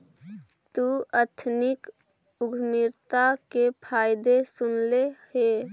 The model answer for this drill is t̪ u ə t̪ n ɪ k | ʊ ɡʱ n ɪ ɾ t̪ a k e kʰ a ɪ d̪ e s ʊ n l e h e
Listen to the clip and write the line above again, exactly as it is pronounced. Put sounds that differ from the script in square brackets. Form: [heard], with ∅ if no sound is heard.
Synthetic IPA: t̪ u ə [t̪ʰ] n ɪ k | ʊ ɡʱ [m] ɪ ɾ t̪ a k e [pʰ] a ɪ d̪ e s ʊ n l e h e